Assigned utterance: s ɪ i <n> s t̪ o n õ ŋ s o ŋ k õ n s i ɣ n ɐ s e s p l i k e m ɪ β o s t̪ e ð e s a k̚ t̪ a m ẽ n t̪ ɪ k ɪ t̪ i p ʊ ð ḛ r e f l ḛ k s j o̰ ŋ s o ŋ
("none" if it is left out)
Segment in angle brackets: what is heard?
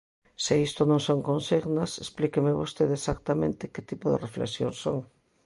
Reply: none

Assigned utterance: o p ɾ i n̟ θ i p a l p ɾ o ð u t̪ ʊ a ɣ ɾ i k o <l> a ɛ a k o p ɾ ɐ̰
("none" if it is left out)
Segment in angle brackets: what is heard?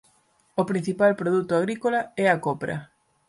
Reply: l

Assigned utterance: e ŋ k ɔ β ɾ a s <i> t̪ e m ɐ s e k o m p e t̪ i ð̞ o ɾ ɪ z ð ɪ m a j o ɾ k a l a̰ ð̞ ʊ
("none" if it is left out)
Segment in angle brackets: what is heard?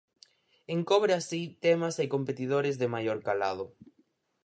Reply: i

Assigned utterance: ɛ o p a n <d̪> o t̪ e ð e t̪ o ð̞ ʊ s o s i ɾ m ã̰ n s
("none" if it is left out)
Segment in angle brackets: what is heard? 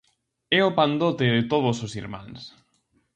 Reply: d̪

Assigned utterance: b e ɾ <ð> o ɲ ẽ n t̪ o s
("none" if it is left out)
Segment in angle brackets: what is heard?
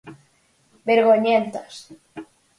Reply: ɣ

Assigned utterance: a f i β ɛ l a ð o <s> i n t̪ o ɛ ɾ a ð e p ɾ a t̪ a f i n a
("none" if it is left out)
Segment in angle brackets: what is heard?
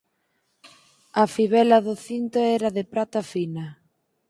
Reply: θ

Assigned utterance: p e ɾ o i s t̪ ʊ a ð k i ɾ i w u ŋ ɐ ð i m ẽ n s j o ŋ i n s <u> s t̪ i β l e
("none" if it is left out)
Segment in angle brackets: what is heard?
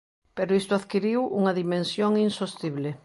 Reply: o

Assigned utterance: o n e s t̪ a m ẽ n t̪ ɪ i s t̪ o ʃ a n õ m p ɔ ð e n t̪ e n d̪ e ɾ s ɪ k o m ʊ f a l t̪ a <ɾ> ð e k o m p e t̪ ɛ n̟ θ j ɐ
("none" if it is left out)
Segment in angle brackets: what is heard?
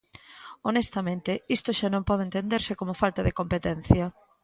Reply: none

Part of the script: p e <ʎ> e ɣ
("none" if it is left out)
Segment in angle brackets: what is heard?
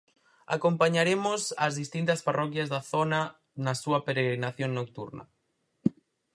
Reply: ɾ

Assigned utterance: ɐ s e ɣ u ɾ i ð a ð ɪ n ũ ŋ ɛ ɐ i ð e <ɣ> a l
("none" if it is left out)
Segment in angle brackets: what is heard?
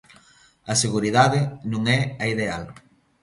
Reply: none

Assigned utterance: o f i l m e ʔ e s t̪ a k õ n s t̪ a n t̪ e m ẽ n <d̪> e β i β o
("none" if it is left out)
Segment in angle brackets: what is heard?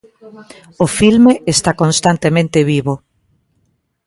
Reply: t̪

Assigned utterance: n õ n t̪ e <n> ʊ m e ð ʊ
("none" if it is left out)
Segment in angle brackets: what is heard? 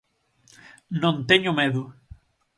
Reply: ɲ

